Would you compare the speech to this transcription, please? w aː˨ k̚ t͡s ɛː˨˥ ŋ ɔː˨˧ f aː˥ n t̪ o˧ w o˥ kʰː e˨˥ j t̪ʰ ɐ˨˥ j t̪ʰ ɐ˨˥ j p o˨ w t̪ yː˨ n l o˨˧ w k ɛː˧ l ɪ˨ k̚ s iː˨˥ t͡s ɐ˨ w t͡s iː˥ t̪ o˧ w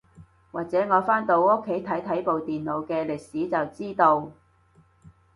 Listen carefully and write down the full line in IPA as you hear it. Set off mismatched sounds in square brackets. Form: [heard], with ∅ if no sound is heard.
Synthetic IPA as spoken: w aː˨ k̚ t͡s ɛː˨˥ ŋ ɔː˨˧ f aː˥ n t̪ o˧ w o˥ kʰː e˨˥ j t̪ʰ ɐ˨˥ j t̪ʰ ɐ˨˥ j p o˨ w t̪ [iː˨] n l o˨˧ w k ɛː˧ l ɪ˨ k̚ s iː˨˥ t͡s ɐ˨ w t͡s iː˥ t̪ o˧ w